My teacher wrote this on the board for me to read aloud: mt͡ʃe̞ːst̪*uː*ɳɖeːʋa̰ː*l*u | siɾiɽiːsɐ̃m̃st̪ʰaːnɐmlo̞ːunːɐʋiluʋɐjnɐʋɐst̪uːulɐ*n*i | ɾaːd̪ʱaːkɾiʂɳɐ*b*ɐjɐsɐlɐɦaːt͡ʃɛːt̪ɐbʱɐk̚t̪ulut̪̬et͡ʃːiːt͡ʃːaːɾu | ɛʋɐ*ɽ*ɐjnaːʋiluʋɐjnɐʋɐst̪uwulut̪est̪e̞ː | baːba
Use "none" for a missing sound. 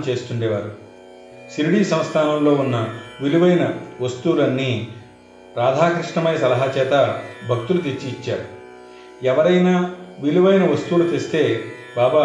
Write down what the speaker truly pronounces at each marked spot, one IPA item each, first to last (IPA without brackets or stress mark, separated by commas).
u, ɾ, nː, m, ɾ